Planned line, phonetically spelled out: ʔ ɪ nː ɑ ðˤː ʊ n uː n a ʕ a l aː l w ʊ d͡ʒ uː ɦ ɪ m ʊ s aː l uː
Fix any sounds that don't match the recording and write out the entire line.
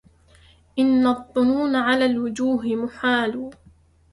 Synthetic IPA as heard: ʔ ɪ nː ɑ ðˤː ʊ n uː n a ʕ a l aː l w ʊ d͡ʒ uː ɦ ɪ m ʊ ħ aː l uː